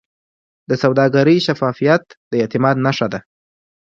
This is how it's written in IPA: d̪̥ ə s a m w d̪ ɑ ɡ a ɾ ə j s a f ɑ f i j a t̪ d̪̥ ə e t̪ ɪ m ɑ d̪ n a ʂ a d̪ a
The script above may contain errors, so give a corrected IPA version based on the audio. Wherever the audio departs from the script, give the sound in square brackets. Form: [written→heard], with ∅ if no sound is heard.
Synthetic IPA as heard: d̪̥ ə s a [m→∅] w d̪ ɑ ɡ a ɾ ə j [s→ʃ] a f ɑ f i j a t̪ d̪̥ ə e t̪ ɪ m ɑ d̪ n a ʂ a d̪ a